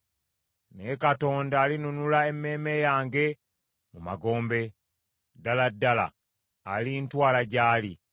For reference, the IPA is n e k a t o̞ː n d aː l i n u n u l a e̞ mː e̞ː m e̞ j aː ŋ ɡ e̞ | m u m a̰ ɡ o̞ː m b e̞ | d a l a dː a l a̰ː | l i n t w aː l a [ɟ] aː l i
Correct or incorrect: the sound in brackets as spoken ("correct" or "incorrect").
correct